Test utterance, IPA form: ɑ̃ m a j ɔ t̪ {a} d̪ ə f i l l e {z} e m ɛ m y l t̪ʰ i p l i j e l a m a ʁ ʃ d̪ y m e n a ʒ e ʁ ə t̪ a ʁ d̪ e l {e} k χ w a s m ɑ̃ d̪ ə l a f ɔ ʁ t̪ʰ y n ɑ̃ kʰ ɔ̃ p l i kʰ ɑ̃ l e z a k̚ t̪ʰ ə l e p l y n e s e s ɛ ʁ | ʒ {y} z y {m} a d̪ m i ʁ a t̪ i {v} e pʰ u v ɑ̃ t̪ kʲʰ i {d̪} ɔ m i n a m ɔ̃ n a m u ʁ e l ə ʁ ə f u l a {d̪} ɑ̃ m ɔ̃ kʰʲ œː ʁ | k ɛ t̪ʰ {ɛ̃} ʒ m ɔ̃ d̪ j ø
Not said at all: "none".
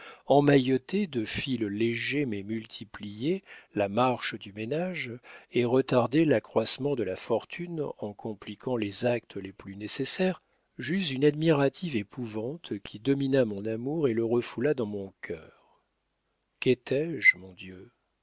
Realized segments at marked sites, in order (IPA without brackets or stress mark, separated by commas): e, ʒ, a, y, n, v, d̪, d̪, ɛ